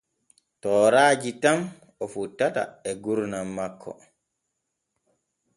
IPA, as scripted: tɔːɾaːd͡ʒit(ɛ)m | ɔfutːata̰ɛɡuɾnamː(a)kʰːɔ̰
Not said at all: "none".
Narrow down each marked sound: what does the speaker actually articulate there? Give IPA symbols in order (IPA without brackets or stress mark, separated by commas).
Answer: a, a